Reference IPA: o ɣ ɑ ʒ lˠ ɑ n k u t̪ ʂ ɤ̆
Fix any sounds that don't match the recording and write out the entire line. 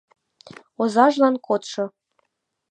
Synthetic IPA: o z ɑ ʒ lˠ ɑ n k o t̪ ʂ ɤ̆